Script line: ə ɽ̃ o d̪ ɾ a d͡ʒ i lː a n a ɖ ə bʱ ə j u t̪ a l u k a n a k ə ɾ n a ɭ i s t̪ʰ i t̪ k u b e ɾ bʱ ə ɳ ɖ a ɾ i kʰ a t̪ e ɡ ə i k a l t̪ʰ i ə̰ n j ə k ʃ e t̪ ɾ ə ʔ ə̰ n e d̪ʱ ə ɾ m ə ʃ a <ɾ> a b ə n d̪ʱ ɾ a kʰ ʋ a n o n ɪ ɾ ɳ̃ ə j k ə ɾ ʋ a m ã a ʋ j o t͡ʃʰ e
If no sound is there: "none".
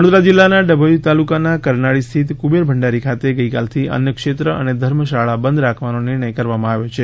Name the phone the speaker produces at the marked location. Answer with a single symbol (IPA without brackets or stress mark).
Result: ɭ